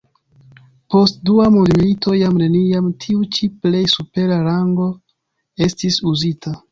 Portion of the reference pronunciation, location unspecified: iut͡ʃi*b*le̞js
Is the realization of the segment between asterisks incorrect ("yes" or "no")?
yes